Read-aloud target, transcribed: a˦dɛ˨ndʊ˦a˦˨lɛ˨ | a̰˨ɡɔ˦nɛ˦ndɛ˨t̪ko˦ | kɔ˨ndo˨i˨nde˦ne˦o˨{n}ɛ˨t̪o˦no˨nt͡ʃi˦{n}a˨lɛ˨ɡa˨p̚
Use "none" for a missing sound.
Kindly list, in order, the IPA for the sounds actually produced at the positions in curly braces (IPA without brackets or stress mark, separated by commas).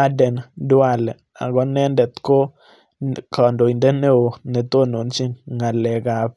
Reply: n, ŋ